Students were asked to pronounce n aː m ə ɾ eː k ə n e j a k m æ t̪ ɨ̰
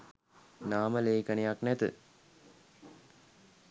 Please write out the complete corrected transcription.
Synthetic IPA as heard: n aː m ə l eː k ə n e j a k n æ t̪ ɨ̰